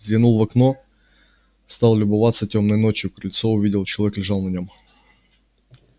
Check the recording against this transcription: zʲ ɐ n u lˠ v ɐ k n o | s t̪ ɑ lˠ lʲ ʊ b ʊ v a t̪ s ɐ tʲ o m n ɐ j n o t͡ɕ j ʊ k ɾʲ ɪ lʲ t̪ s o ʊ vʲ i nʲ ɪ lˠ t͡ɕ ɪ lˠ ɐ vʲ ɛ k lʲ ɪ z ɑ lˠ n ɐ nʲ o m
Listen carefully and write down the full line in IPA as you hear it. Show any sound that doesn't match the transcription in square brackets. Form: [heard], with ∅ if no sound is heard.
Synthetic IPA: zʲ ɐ n u lˠ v ɐ k n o | s t̪ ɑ lˠ lʲ ʊ b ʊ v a t̪ s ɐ tʲ o m n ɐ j n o t͡ɕ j ʊ k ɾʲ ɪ lʲ t̪ s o ʊ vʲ i [dʲ] ɪ lˠ t͡ɕ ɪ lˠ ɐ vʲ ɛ k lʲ ɪ [ʐ] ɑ lˠ n ɐ nʲ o m